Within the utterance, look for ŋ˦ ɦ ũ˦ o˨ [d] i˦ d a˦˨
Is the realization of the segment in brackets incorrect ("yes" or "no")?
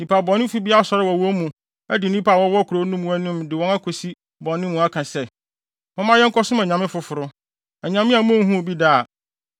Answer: yes